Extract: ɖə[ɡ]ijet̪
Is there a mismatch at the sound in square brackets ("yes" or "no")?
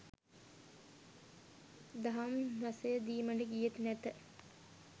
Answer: no